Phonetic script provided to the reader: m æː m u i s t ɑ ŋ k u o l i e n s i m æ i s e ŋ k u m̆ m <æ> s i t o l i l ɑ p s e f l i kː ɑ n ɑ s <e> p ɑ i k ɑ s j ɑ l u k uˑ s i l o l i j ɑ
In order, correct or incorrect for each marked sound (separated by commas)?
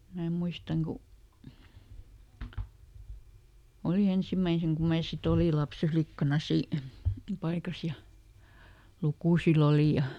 incorrect, incorrect